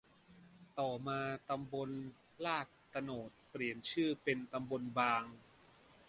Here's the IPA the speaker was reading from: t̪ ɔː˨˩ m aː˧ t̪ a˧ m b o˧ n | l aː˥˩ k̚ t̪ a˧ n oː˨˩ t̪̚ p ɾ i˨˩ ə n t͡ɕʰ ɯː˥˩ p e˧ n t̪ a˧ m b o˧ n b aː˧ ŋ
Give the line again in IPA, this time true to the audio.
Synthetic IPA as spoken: t̪ ɔː˨˩ m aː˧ t̪ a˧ m b o˧ n | l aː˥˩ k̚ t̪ a˧ n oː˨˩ t̪̚ p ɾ i˨˩ ə n t͡ɕʰ ɯː˥˩ p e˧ n t̪ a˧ m b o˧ n b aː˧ ŋ